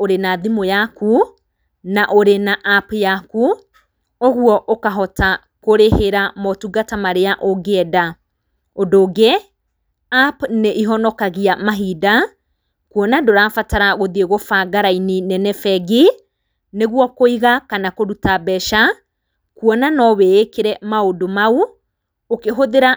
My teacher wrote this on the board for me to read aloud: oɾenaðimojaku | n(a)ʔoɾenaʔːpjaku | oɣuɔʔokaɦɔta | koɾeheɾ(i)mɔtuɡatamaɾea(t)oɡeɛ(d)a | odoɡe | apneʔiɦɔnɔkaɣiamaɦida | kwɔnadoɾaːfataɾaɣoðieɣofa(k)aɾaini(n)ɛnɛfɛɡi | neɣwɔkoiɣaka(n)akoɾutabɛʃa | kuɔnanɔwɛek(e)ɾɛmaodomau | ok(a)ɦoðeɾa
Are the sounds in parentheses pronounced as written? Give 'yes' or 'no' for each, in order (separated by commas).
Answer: yes, no, no, yes, no, yes, yes, yes, no